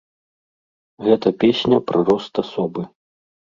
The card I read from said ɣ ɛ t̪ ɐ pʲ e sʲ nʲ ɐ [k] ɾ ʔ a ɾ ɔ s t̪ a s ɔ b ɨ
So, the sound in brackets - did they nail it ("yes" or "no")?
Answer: no